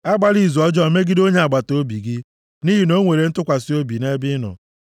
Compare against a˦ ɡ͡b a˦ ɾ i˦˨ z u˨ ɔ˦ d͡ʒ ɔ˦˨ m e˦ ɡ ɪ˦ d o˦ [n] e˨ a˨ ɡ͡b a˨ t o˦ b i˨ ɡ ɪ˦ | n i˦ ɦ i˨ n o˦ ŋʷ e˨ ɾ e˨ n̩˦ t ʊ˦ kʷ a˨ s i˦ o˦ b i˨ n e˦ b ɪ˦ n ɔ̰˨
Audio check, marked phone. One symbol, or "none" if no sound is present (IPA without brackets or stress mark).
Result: ɲ